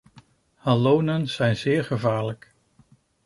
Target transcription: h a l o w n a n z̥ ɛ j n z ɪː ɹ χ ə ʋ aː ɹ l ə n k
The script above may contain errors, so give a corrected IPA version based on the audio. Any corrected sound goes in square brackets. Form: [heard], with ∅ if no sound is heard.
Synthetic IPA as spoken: h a l o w n [ə] n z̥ ɛ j n z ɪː ɹ χ ə [v] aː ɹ l ə [∅] k

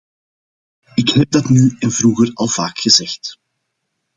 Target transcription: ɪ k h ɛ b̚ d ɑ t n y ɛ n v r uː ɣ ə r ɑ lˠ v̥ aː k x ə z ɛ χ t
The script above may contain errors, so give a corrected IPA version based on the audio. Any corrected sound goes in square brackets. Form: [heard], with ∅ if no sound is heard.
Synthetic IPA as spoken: ɪ k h ɛ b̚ d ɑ t n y ɛ n v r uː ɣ ə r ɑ lˠ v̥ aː k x ə z ɛ [x] t

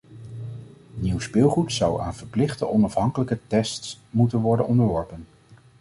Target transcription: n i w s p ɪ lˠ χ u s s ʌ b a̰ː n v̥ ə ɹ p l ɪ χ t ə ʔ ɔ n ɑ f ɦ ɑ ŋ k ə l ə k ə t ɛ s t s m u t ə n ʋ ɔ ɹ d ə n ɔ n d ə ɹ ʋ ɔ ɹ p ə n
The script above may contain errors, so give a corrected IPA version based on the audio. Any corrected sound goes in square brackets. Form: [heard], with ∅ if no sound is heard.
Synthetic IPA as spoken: n i w s p ɪ lˠ χ u [t] s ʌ [w] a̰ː n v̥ ə ɹ p l ɪ χ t ə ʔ ɔ n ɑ f ɦ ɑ ŋ k ə l ə k ə t ɛ s t s m u t ə n ʋ ɔ ɹ d ə n ɔ n d ə ɹ ʋ ɔ ɹ p ə n

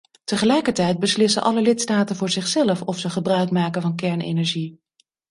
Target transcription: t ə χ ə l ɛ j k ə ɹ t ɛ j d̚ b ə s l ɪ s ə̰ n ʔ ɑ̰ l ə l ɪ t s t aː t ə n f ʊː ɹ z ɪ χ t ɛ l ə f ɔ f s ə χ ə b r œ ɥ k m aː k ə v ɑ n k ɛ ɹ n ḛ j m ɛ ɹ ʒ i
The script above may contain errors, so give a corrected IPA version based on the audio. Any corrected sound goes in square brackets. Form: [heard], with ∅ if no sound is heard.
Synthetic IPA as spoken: t ə χ ə l ɛ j k ə ɹ t ɛ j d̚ b ə s l ɪ s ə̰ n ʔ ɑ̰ l ə l ɪ t s t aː t ə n [v] ʊː ɹ z ɪ χ [s] ɛ l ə f ɔ f s ə χ ə b r œ ɥ k m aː k ə v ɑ n k ɛ ɹ n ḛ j [n] ɛ ɹ ʒ i

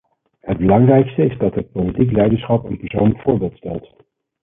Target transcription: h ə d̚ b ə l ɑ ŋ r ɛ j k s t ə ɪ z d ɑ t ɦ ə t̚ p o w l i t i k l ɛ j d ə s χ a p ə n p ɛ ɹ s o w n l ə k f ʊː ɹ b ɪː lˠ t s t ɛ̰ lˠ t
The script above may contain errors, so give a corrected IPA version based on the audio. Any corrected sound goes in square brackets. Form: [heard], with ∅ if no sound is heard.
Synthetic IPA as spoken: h ə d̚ b ə l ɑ ŋ r ɛ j k s t ə ɪ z d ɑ t ɦ ə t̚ p o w l i t i k l ɛ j d ə s χ [ɑ] p ə n p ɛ ɹ s o w n l ə k f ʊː ɹ b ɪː lˠ t s t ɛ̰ lˠ t

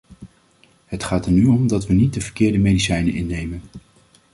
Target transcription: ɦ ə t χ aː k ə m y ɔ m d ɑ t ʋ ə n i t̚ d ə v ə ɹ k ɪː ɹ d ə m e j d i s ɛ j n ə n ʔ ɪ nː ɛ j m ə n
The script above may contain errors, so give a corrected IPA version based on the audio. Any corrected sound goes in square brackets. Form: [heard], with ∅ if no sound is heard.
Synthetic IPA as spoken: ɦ ə t χ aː [t] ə [n] y ɔ m d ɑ t ʋ ə n i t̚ d ə v ə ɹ k ɪː ɹ d ə m e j d i s ɛ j n ə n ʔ ɪ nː [e] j m ə n

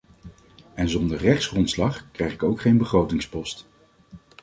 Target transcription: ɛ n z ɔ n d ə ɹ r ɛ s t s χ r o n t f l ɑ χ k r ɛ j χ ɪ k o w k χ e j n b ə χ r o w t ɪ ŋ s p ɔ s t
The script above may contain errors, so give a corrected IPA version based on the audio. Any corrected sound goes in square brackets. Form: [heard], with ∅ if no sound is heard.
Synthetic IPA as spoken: ɛ n z ɔ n d ə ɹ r ɛ [χ] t s χ r [ɔ] n t [s] l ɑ χ k r ɛ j χ ɪ k o w k χ e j n b ə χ r o w t ɪ ŋ s p ɔ s t

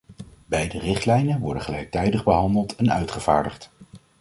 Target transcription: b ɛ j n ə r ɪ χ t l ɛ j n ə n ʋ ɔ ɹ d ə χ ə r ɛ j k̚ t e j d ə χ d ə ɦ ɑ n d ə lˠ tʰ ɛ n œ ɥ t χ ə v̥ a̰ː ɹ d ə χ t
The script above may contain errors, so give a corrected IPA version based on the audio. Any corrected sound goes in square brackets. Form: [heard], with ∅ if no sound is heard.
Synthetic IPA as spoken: b ɛ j [d] ə r ɪ χ t l ɛ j n ə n ʋ ɔ ɹ d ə χ ə [l] ɛ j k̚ t [ɛ] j d ə χ [b] ə ɦ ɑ n d ə lˠ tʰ ɛ n œ ɥ t χ ə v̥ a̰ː ɹ d ə χ t

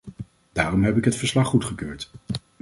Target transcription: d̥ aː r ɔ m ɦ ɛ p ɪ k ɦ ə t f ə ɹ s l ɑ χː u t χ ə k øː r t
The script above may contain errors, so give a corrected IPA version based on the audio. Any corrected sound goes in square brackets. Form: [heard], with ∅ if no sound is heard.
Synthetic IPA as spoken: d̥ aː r ɔ m ɦ ɛ p ɪ k ɦ ə t f ə ɹ s l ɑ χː u t χ ə k øː [ɹ] t

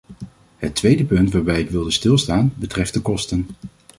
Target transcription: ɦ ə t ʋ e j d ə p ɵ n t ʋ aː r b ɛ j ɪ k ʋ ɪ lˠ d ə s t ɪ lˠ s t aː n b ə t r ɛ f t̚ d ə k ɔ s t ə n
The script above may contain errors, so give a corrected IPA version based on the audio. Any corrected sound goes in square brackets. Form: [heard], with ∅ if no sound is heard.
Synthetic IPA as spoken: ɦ ə t ʋ e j d ə p ɵ n t ʋ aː [ɹ] b ɛ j ɪ k ʋ ɪ lˠ d ə s t ɪ lˠ s t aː n b ə t r ɛ f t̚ d ə k ɔ s t ə n

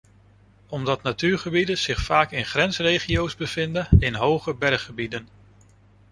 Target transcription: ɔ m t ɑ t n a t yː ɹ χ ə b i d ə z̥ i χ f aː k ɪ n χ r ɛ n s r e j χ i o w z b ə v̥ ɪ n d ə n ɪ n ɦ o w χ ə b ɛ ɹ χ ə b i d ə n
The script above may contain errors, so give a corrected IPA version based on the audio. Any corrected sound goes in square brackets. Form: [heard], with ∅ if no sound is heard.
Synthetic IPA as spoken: ɔ m [d] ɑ t n a t yː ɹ χ ə b i d ə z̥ [ɪ] χ f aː k ɪ n χ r ɛ n s r e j χ i o w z b ə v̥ ɪ n d ə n ɪ n ɦ o w χ ə b ɛ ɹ χ ə b i d ə n

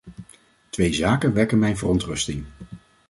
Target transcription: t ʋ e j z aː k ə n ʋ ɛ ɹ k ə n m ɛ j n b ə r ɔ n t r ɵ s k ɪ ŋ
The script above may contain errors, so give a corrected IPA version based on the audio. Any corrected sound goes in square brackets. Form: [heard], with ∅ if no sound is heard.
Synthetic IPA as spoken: t ʋ e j z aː k ə n ʋ ɛ ɹ k ə n m ɛ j n [v] ə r ɔ n t r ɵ s [t] ɪ ŋ

